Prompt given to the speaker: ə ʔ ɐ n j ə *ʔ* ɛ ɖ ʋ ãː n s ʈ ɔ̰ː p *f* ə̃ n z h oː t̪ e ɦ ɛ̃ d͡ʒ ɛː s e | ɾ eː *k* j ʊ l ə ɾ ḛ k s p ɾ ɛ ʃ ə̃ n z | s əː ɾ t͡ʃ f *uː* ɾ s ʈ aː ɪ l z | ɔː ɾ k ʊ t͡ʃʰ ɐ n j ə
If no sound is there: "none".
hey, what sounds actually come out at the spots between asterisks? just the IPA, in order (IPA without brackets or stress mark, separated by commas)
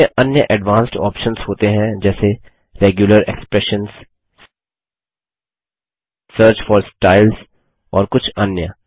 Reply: ʔ, ʃ, ɡ, ɔː